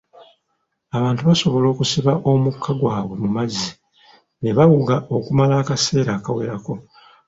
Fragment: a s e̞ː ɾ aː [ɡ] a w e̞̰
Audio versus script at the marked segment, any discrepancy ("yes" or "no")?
yes